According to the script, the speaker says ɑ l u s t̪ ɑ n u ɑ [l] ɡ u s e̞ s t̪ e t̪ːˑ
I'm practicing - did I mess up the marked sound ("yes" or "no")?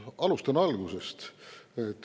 no